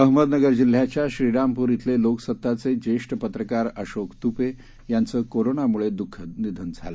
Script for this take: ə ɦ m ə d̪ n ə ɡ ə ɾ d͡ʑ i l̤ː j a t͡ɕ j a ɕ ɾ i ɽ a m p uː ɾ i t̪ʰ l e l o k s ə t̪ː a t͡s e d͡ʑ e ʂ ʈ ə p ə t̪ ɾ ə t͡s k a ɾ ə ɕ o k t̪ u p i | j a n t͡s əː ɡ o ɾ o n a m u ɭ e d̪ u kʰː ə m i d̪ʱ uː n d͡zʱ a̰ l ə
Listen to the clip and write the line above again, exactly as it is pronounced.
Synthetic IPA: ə ɦ m ə d̪ n ə ɡ ə ɾ d͡ʑ i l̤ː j a t͡ɕ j a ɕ ɾ i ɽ a m p uː ɾ i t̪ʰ l e l o k s ə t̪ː a t͡s e d͡ʑ e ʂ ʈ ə p ə t̪ ɾ ə k a ɾ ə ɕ o k t̪ u p e | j a n t͡s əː k o ɾ o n a m u ɭ e d̪ u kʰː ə n i d̪ʱ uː n d͡zʱ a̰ l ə